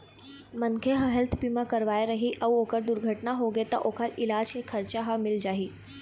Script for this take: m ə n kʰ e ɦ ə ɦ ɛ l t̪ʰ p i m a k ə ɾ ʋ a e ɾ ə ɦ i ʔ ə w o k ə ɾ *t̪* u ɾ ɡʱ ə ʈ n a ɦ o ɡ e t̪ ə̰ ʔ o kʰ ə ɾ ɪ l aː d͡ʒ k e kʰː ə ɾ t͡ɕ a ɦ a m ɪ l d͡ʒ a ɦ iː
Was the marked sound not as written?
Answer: yes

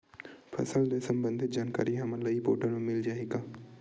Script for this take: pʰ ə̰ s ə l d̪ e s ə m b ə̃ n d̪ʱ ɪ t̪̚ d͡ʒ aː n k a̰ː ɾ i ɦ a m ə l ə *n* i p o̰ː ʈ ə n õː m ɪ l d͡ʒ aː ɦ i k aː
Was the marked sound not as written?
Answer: yes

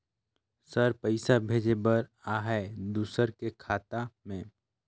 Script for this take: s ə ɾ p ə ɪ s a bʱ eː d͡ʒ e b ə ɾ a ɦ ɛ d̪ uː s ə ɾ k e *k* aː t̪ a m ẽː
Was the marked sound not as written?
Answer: yes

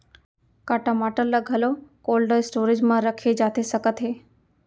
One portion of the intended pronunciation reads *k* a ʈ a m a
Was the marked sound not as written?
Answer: no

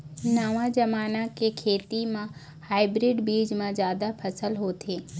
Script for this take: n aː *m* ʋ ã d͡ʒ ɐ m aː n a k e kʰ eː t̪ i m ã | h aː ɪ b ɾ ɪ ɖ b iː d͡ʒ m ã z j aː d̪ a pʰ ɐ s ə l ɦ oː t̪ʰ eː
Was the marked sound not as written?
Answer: yes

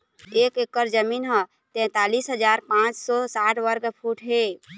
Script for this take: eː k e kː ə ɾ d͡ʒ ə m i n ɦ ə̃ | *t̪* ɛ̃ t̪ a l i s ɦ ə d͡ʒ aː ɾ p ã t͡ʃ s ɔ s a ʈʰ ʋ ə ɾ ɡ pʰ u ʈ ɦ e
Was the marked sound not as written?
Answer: no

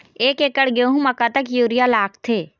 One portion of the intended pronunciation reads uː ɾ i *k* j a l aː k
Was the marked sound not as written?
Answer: yes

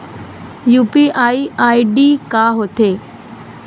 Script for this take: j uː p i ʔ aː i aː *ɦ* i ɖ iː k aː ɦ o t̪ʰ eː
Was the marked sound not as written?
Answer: yes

